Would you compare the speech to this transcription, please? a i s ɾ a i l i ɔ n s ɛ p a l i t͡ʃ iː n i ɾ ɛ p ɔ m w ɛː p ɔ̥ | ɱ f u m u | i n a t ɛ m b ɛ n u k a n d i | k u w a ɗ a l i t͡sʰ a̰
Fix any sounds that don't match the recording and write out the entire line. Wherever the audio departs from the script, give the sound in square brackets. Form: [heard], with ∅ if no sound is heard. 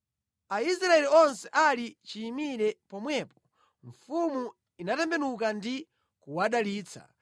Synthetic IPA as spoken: a i s ɾ a [ɛ] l i ɔ n s ɛ [ʔ] a l i t͡ʃ iː [m] i ɾ ɛ p ɔ m w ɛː p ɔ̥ | ɱ f u m u | i n a t ɛ m b ɛ n u k a n d i | k u w a ɗ a l [iː] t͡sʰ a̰

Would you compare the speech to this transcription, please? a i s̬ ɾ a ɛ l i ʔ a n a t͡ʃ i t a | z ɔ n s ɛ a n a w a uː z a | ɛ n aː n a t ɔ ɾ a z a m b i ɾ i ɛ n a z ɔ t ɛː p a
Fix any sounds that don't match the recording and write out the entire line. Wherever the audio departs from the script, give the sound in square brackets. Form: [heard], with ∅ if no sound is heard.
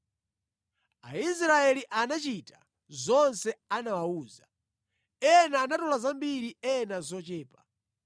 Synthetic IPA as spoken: a i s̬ ɾ a ɛ l i ʔ a n a t͡ʃ i t a | z ɔ n s ɛ a n a w a uː z a | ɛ n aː n a t ɔ [l] a z a m b i ɾ i ɛ n a z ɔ [t͡ʃ] ɛː p a

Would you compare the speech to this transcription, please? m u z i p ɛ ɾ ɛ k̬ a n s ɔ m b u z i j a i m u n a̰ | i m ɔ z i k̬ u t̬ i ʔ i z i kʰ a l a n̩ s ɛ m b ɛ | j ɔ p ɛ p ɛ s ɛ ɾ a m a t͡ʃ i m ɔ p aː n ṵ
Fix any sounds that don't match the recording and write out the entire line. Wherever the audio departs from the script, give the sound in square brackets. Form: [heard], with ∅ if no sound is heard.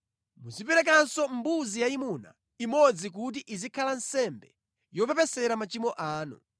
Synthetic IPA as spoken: m u z i p ɛ ɾ ɛ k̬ a n s ɔ m b u z i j a i m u n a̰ | i m ɔ [d͡z] i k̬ u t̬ i ʔ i z i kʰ a l a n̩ s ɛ m b ɛ | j ɔ p ɛ p ɛ s ɛ ɾ a m a t͡ʃ i m ɔ [ʔ] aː n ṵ

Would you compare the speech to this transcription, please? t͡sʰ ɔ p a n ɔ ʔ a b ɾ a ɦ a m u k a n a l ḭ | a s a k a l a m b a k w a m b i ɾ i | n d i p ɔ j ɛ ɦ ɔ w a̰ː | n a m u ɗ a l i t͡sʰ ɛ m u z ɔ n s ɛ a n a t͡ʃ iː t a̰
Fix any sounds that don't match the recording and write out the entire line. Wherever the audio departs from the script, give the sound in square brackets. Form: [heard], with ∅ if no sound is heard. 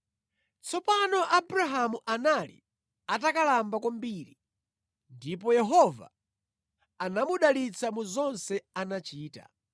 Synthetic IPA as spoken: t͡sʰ ɔ p a n ɔ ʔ a b ɾ a ɦ a m u [ʔ] a n a l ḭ | a [t] a k a l a m b a k w a m b i ɾ i | n d i p ɔ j ɛ ɦ ɔ [v] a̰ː | n a m u ɗ a l i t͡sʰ [a] m u z ɔ n s ɛ a n a t͡ʃ iː t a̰

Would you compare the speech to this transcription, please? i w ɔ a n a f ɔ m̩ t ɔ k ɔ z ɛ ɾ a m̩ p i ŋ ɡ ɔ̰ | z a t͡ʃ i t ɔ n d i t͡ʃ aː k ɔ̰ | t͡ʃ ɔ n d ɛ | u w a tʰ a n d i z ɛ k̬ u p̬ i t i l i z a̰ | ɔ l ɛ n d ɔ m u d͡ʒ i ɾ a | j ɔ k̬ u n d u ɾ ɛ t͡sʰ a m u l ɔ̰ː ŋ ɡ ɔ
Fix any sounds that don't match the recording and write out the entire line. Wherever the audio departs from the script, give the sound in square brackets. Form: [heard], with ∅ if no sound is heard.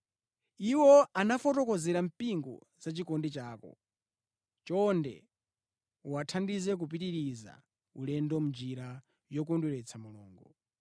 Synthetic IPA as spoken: i w ɔ a n a f ɔ [∅] t ɔ k ɔ z ɛ ɾ a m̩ p i ŋ ɡ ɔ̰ | z a t͡ʃ i [k] ɔ n d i t͡ʃ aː k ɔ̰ | t͡ʃ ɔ n d ɛ | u w a tʰ a n d i z ɛ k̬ u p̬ i t i [ɾ] i z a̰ | [u] l ɛ n d ɔ m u d͡ʒ i ɾ a | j ɔ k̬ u n d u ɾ ɛ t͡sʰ a m u l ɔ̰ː ŋ ɡ ɔ

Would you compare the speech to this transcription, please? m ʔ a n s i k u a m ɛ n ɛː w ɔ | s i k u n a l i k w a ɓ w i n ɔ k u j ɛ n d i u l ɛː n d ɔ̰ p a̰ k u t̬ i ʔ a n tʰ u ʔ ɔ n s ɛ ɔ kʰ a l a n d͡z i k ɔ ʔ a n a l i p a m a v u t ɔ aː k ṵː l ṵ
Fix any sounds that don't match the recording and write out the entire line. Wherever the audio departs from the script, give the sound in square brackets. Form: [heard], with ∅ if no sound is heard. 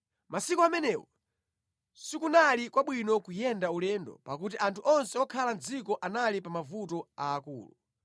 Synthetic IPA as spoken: m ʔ a [∅] s i k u a m ɛ n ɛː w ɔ | s i k u n a l i k w a ɓ w i n ɔ k u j ɛ n d [a] u l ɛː n d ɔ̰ p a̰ k u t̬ i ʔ a n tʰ u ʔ ɔ n s ɛ ɔ kʰ a l a n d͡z i k ɔ ʔ a n a l i p a m a v u t ɔ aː k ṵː l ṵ

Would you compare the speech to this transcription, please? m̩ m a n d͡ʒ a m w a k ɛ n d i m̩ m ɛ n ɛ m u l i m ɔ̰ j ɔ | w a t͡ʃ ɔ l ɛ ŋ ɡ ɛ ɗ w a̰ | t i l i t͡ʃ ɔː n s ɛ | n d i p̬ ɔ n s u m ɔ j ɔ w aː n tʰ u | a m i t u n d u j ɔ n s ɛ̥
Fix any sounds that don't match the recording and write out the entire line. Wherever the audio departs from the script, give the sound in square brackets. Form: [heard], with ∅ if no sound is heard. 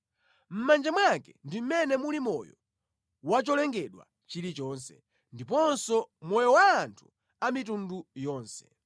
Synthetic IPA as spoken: m̩ m a n d͡ʒ a m w a k ɛ n d i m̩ m ɛ n ɛ m u l i m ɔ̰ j ɔ | w a t͡ʃ ɔ l ɛ ŋ ɡ ɛ ɗ w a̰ | [t͡ʃ] i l i t͡ʃ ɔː n s ɛ | n d i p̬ ɔ n s [ɔ] m ɔ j ɔ w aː n tʰ u | a m i t u n d u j [ɔː] n s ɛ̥

